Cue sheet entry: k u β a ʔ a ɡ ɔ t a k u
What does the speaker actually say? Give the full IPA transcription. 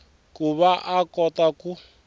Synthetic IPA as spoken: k u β a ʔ a k ɔ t a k u